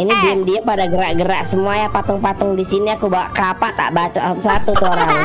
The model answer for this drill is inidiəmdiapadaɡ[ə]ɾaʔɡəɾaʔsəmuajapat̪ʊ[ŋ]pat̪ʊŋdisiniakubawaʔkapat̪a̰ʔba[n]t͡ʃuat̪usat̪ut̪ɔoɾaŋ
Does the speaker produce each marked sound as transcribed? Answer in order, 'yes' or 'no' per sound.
yes, yes, no

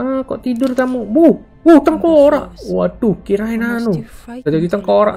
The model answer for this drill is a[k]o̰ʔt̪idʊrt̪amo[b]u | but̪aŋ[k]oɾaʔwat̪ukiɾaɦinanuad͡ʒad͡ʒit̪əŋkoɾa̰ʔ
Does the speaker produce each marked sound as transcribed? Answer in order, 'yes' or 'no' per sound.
yes, yes, yes

